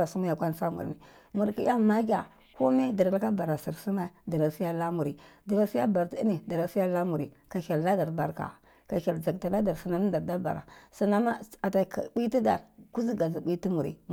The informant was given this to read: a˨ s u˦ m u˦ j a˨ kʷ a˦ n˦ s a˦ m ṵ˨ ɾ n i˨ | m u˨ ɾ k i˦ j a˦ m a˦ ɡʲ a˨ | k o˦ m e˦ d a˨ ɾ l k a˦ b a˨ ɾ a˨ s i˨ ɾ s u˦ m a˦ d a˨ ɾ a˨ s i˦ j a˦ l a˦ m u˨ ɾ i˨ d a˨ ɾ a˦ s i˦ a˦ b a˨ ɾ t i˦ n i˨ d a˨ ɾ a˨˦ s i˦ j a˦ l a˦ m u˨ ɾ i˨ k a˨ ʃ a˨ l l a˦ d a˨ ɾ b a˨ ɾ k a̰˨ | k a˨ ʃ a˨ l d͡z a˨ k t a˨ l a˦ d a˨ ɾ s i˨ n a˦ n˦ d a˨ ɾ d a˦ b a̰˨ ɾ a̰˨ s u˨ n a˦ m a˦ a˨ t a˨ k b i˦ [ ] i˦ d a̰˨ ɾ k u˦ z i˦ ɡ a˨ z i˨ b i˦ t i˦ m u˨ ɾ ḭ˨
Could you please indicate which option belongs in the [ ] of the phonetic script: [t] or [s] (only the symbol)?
t